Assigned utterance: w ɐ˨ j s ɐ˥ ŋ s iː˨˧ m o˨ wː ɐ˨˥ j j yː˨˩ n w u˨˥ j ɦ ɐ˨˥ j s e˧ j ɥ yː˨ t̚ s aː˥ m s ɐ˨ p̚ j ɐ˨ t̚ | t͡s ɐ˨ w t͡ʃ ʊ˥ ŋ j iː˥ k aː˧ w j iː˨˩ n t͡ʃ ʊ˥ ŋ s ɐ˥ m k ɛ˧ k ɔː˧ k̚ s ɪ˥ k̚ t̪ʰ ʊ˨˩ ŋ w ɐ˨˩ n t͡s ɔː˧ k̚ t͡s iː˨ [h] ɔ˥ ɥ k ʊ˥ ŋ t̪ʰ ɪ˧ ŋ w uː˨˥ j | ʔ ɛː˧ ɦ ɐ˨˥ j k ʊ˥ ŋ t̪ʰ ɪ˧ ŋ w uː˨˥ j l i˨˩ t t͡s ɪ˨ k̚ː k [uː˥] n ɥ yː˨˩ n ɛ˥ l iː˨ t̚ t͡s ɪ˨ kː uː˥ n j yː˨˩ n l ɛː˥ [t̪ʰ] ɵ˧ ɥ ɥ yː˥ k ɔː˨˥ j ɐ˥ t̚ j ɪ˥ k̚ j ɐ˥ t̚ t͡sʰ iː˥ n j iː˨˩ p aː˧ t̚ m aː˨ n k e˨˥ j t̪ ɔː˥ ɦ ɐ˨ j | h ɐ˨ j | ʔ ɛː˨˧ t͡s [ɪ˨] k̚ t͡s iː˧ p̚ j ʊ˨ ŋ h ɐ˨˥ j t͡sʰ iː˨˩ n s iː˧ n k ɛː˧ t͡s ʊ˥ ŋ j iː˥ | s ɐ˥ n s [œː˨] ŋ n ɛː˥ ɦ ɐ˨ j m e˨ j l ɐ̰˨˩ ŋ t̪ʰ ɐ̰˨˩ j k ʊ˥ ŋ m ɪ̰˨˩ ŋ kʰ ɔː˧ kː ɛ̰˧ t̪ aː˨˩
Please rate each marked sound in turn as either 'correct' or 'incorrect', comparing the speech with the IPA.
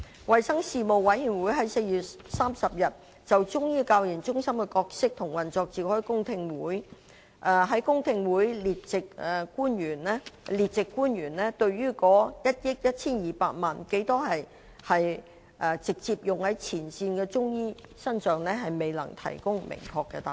correct, correct, incorrect: t̪, correct, correct

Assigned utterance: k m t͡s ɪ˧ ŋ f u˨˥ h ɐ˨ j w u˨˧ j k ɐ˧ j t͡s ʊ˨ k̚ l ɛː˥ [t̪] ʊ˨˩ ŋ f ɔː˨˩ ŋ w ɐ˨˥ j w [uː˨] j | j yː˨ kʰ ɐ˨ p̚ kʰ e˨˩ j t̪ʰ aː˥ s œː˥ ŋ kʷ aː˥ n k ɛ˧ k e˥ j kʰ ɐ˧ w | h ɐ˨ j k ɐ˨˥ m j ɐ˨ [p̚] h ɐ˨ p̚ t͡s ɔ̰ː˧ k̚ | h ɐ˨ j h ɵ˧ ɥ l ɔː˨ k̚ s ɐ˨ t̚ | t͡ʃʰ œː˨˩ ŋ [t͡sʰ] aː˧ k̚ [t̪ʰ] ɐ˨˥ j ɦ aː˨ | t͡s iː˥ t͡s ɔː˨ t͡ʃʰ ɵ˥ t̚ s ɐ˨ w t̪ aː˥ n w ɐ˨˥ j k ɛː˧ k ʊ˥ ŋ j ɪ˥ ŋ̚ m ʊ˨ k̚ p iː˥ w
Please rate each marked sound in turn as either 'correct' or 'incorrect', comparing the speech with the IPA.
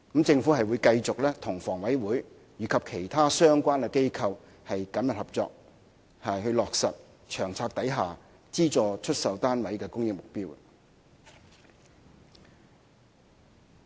incorrect: t̪ʰ, incorrect: uː˨˥, incorrect: t̚, correct, incorrect: t̪

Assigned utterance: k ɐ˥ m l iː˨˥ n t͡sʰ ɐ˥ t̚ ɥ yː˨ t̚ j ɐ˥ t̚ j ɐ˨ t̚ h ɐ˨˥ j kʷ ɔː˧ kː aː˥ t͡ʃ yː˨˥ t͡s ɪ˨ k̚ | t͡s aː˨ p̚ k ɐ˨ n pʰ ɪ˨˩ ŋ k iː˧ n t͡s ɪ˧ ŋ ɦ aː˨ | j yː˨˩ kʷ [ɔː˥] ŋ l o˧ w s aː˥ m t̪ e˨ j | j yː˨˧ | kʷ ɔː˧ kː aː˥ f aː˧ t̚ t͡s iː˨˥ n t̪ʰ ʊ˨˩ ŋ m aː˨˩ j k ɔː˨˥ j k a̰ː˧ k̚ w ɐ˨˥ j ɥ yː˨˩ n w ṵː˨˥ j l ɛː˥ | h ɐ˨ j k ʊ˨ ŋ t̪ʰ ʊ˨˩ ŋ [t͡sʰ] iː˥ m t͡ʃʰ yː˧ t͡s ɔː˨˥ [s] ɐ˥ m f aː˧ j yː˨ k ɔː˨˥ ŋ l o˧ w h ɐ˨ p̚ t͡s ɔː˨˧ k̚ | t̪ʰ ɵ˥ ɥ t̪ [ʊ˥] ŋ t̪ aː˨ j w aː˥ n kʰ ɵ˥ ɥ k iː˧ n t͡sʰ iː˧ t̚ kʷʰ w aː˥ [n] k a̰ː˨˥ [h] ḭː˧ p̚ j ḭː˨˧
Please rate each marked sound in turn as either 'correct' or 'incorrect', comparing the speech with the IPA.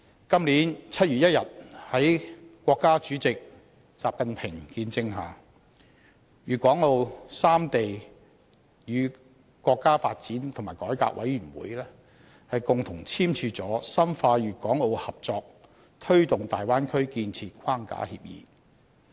incorrect: ɔː˨˥, correct, correct, incorrect: ʊ˨, incorrect: ŋ, correct

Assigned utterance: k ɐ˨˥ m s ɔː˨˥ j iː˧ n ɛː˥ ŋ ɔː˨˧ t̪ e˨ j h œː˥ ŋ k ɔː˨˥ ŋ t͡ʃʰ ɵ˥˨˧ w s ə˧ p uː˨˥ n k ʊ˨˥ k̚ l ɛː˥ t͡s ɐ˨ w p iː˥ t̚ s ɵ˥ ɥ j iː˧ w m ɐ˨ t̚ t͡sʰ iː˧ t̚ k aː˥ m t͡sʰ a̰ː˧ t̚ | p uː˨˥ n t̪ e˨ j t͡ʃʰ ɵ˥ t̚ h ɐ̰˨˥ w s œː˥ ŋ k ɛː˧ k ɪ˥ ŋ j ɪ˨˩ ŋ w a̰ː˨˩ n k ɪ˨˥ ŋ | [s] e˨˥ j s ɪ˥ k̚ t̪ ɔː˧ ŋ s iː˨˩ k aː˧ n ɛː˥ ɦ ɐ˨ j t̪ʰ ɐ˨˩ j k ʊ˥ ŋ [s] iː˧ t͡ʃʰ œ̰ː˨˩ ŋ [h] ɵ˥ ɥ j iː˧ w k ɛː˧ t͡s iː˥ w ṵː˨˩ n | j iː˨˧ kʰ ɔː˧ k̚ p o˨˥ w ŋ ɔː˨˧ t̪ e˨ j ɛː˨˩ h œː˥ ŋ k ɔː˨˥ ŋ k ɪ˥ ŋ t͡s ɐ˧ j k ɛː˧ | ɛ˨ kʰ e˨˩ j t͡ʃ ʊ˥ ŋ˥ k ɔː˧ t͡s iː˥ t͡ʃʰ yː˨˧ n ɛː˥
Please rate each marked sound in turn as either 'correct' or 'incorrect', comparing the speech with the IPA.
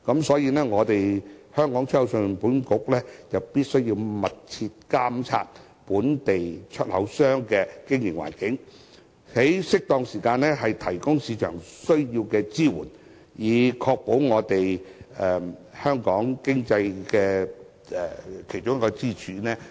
incorrect: h, correct, incorrect: s

